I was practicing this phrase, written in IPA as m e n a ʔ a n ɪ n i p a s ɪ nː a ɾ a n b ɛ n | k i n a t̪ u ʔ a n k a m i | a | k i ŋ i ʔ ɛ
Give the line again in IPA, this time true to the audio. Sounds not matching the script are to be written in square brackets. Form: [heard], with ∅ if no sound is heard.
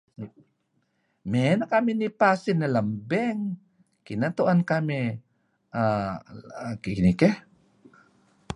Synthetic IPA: m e n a [k] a [m] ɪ n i p a s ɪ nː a [l] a [m] b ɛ [ŋ] | k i n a t̪ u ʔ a n k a m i | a | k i [n] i [k] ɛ